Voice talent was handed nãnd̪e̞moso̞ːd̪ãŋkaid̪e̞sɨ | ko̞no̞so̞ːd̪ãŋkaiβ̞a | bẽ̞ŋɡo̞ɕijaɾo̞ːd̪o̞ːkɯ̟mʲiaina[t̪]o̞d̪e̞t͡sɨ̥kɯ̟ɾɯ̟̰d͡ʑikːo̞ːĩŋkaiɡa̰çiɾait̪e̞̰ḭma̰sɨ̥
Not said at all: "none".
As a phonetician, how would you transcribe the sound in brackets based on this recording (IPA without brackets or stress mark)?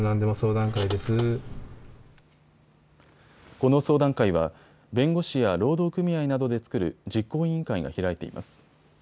d̪